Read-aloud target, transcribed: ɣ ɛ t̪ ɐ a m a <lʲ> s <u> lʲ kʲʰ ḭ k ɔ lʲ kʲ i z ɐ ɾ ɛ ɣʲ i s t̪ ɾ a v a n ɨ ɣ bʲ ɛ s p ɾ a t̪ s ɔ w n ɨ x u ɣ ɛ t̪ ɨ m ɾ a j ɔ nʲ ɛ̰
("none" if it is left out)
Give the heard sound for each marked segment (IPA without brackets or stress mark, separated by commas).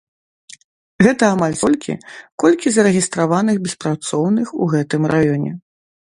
lʲ, ɔ